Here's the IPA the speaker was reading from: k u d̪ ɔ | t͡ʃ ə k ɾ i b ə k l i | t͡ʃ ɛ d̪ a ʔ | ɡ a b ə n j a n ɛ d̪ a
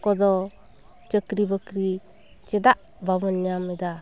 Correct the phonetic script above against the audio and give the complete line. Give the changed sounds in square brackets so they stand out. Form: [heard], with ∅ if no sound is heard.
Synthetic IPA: k [ɔ] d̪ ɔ | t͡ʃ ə k ɾ i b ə k [ɾ] i | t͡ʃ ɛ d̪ a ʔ | [b] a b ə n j a [m] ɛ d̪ a